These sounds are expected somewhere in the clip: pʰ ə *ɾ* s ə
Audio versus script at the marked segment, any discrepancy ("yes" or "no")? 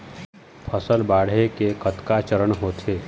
yes